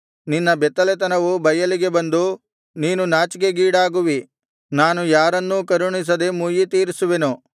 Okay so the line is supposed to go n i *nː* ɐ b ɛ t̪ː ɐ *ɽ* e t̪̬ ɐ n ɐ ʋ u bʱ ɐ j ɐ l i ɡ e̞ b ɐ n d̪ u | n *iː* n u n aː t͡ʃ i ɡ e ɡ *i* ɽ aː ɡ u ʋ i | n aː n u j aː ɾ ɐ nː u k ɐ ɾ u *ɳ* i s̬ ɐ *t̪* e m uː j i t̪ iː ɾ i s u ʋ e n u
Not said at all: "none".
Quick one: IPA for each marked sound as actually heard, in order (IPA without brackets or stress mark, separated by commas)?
nː, l, iː, iː, ɳ, d̪